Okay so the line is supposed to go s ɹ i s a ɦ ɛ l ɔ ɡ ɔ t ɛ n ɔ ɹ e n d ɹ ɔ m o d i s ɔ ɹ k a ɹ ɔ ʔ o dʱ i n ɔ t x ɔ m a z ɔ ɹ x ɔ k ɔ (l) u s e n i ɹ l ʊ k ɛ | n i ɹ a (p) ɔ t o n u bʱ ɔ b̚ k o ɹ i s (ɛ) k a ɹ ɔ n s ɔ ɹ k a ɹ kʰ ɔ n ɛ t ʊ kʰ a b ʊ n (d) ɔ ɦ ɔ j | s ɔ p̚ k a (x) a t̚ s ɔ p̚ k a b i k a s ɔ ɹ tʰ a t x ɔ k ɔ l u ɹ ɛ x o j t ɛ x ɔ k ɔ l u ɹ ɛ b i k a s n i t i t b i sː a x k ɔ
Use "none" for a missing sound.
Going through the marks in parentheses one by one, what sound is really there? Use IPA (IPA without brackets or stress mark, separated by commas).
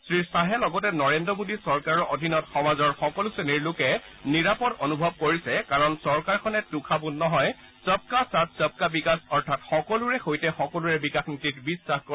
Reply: l, p, ɛ, n, s